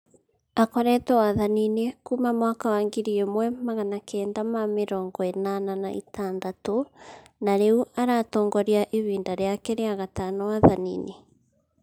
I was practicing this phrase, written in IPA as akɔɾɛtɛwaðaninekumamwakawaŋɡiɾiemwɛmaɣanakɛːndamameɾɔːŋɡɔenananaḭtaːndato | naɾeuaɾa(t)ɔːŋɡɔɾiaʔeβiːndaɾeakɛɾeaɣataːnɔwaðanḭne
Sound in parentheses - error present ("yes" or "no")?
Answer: no